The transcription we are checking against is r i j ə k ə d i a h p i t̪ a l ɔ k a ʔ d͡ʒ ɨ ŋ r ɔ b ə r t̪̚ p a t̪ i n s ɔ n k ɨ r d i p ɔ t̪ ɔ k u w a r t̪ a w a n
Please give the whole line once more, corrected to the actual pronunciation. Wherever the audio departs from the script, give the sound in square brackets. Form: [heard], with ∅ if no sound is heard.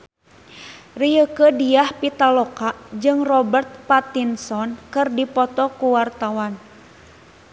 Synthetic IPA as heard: r i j ə k ə d i a h p i t̪ a l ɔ k a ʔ d͡ʒ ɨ ŋ r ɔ b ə r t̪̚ p a t̪ i n s ɔ n k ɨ r d i p ɔ t̪ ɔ k u w a r t̪ a w a n